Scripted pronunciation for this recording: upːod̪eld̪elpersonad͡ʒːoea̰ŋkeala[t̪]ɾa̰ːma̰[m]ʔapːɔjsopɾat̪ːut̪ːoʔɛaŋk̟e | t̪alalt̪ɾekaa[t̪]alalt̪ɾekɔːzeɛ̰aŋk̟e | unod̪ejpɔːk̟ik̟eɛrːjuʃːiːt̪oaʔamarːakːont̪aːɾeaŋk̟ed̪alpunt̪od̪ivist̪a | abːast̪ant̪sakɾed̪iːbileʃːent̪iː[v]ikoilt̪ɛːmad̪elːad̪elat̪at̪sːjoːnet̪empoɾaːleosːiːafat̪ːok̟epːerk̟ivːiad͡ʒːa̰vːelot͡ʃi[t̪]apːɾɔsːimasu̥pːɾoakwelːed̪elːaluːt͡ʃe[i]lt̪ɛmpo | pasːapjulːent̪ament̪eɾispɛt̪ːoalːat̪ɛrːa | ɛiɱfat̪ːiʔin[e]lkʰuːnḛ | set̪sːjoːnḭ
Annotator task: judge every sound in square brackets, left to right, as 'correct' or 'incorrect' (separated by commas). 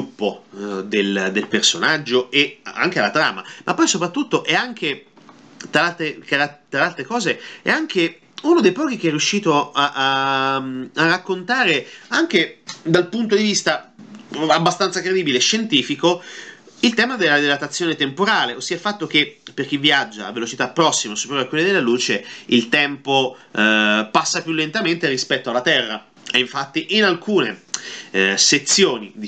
correct, correct, correct, incorrect, correct, correct, incorrect